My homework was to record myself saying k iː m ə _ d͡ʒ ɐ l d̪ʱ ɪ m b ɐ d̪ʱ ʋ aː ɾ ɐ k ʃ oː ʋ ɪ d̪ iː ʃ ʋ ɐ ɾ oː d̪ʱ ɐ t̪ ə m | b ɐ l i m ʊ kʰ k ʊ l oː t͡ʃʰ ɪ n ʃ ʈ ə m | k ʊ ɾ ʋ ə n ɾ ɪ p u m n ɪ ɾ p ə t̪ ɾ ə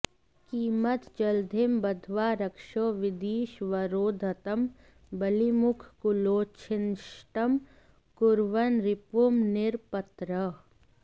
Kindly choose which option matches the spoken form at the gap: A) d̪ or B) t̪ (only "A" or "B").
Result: B